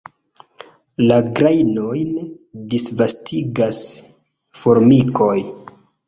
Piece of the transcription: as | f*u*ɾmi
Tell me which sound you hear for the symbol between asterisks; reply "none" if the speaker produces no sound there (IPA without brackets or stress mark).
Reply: o